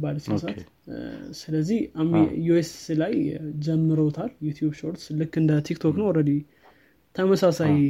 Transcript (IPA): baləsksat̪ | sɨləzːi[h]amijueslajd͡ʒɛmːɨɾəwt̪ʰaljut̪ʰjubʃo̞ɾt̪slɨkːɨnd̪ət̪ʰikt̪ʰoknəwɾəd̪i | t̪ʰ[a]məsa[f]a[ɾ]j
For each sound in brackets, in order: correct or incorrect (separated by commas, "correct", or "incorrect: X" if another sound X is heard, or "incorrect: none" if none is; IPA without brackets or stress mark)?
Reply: correct, incorrect: ə, incorrect: s, incorrect: none